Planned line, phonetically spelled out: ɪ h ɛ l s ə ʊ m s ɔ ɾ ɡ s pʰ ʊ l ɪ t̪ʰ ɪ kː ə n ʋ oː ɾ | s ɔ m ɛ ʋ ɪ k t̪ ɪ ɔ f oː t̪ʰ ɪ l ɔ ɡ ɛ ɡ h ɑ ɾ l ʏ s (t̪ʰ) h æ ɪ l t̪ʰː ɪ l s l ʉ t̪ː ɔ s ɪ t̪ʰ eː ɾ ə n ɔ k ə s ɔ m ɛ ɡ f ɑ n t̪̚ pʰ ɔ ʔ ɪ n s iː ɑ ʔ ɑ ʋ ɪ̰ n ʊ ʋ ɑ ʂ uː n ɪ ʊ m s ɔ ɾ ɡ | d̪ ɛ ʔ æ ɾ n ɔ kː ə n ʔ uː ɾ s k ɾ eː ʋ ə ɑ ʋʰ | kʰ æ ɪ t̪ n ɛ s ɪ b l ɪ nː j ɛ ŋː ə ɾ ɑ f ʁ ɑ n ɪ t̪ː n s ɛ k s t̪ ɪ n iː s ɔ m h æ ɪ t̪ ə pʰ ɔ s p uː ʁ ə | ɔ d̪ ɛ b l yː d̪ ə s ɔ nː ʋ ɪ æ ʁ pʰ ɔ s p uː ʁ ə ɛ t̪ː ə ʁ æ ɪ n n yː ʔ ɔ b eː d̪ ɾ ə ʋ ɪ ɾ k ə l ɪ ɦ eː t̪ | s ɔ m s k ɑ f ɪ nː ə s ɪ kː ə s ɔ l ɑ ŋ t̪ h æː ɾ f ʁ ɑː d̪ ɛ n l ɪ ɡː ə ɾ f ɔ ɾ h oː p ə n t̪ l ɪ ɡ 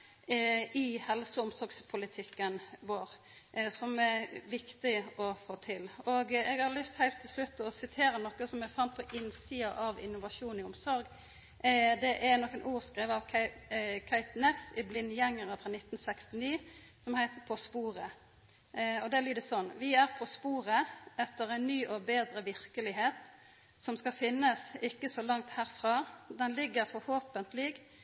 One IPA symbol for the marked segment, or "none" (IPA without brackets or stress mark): t̪